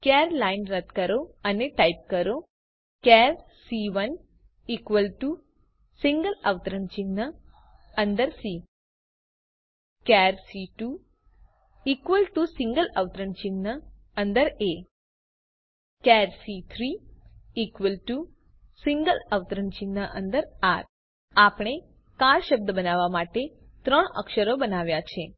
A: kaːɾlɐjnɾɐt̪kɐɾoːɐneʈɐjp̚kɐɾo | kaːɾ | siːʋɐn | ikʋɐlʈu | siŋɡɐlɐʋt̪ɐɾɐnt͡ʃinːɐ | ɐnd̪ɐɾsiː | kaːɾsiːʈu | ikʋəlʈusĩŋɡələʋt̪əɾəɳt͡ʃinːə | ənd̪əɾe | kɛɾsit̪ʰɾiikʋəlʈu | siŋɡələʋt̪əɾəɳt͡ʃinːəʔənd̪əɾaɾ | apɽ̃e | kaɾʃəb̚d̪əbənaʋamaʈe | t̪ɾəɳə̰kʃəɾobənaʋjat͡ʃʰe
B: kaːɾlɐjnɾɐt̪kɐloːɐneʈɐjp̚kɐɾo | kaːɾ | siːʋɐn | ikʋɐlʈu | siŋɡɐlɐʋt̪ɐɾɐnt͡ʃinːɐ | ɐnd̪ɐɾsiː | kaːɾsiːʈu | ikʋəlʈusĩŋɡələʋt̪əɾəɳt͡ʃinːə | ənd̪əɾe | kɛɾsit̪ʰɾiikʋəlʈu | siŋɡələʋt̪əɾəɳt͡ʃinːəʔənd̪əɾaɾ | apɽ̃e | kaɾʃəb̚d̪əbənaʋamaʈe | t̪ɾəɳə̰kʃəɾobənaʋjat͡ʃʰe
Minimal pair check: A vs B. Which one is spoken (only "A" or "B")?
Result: A